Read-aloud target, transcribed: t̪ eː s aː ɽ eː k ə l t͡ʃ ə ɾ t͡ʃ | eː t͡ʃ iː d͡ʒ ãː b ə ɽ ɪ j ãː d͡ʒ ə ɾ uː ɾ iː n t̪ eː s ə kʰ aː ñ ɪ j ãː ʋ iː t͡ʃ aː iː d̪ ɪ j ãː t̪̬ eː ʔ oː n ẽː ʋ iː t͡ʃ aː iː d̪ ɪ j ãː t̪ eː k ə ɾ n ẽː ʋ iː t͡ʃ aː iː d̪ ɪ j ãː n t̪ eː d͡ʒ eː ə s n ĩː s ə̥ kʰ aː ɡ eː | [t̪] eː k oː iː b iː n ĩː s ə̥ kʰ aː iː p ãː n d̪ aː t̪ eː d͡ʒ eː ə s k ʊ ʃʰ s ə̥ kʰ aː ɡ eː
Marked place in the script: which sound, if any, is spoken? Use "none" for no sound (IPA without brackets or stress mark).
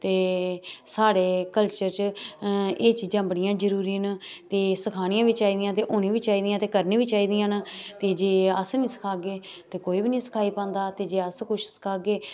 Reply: t̪